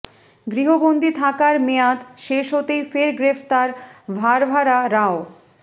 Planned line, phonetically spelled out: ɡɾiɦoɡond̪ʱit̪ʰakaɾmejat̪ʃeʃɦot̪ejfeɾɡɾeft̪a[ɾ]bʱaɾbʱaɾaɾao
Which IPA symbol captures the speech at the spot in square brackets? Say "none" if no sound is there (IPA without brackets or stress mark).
ɾ